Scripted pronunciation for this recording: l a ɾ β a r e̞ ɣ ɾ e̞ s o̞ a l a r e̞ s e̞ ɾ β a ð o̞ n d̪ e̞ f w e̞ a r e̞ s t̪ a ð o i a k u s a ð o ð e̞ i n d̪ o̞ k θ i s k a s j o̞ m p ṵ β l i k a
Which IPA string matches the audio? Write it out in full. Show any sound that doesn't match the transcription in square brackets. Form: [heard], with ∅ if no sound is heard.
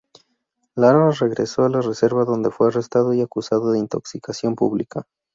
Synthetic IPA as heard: l a ɾ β a r e̞ ɣ ɾ e̞ s o̞ a l a r e̞ s e̞ ɾ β a ð o̞ n d̪ e̞ f w e̞ a r e̞ s t̪ a ð o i a k u s a ð o ð e̞ i n [t̪] o̞ k [s] i [∅] k a s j o̞ m p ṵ β l i k a